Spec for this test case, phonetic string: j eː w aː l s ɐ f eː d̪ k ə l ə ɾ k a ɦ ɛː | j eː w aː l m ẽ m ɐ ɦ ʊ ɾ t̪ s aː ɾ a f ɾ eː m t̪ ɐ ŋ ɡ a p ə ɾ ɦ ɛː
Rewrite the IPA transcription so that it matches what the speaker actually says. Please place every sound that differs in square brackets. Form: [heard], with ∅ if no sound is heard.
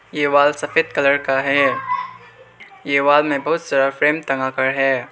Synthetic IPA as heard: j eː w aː l s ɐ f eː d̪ k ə l ə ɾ k a ɦ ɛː | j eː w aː l m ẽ [b] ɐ ɦ ʊ [∅] t̪ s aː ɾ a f ɾ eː m t̪ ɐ ŋ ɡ a [k] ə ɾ ɦ ɛː